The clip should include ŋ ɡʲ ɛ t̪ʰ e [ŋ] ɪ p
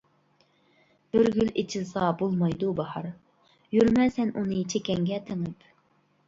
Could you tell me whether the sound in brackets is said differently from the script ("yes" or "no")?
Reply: no